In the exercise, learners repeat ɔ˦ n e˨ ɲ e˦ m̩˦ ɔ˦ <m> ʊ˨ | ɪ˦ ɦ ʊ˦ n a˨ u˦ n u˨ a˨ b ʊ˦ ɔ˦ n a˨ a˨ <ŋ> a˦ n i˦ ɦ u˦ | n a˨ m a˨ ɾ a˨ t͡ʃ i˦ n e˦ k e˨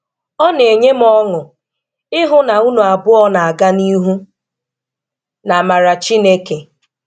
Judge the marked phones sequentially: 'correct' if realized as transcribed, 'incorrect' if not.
incorrect, incorrect

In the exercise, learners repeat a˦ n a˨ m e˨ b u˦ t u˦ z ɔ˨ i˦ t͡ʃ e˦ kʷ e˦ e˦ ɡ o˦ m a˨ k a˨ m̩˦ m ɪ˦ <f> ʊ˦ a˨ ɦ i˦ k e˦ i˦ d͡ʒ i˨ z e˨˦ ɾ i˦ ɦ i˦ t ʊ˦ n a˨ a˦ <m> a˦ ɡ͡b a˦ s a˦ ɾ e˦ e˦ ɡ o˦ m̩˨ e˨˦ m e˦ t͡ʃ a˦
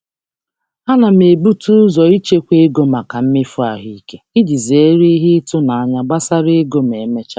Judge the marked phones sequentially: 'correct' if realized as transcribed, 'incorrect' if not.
correct, incorrect

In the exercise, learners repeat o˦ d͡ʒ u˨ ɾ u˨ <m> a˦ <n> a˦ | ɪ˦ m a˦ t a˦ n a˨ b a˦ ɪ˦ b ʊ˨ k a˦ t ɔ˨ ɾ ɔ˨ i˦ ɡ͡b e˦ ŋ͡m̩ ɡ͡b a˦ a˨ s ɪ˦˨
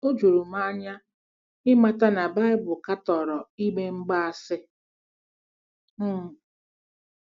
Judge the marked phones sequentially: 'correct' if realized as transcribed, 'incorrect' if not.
correct, incorrect

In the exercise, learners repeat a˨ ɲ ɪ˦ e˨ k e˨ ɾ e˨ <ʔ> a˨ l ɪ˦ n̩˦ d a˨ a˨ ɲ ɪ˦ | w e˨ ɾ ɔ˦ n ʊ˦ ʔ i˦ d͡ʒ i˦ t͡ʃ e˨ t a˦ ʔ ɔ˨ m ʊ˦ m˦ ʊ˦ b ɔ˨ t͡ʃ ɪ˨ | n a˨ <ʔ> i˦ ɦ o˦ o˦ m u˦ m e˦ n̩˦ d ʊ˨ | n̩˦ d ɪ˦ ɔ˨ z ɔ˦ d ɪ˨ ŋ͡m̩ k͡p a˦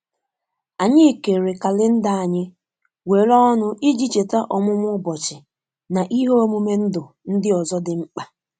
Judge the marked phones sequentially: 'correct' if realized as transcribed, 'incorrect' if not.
incorrect, correct

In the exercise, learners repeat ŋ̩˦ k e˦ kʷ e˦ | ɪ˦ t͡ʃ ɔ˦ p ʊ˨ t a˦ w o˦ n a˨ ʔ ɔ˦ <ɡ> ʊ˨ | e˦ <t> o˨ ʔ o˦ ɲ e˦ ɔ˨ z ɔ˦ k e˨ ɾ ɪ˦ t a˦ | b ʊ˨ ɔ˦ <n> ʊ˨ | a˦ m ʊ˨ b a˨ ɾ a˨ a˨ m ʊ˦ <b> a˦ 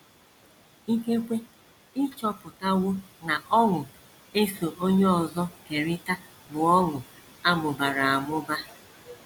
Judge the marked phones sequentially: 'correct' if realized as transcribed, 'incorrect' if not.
incorrect, incorrect, incorrect, correct

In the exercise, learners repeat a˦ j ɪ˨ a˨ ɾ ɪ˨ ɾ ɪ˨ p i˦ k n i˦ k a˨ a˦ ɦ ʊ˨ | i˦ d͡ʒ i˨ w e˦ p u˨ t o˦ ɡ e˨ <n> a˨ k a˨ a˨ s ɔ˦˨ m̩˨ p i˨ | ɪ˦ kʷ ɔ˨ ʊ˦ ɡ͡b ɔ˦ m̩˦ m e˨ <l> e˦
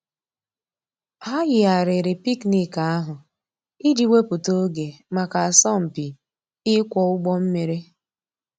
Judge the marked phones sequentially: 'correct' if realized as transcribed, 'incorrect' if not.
incorrect, incorrect

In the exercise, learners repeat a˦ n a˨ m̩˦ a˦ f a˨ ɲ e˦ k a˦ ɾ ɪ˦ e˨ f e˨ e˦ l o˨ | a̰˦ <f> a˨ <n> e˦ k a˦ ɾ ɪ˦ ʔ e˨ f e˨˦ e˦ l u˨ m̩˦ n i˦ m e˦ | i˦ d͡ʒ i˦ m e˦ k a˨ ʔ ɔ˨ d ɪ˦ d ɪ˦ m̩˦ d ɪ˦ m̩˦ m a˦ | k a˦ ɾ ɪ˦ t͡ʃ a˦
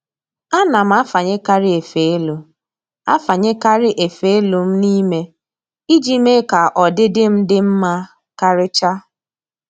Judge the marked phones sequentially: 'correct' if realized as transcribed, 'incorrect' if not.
correct, incorrect

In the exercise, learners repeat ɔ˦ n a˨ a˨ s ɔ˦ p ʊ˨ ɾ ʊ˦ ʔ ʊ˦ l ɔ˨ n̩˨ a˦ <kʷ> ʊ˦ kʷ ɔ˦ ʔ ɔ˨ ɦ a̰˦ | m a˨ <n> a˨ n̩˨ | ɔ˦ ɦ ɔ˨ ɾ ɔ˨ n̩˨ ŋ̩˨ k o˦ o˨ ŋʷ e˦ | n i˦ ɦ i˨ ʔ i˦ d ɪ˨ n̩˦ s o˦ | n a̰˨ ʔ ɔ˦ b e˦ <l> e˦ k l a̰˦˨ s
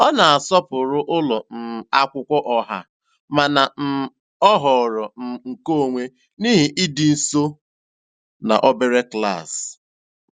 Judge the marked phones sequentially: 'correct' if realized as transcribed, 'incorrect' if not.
correct, correct, incorrect

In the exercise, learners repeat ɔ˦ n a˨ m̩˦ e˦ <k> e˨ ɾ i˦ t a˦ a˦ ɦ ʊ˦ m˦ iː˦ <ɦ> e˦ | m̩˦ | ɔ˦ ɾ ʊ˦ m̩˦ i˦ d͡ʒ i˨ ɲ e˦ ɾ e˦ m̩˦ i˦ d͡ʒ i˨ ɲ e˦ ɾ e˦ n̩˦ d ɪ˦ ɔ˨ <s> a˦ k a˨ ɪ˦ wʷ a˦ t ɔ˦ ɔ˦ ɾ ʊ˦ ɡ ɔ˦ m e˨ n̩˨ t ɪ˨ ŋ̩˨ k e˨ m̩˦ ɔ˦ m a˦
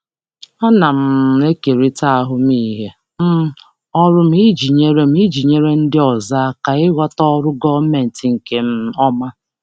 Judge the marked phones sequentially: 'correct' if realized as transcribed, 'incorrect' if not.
correct, correct, incorrect

